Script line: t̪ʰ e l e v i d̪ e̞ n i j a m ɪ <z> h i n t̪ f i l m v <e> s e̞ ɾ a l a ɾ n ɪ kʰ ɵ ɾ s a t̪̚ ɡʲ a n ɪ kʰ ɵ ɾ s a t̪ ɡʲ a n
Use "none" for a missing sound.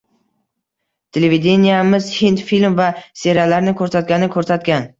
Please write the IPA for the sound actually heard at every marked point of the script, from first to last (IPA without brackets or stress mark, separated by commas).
z, a